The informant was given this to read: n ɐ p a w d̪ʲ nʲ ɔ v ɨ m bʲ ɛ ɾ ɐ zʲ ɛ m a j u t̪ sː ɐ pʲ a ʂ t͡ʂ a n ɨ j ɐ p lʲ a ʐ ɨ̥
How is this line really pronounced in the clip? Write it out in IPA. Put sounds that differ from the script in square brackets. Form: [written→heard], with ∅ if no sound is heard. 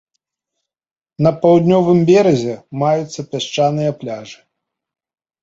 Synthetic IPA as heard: n ɐ p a w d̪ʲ nʲ ɔ v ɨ m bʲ ɛ ɾ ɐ zʲ ɛ m a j u t̪ sː ɐ pʲ a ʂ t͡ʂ a n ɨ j ɐ p lʲ a ʐ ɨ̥